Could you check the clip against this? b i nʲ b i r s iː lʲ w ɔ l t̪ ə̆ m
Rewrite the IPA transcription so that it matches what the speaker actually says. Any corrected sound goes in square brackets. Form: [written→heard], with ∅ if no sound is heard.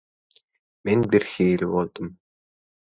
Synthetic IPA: [b→m] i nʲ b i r [s→x] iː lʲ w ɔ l t̪ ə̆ m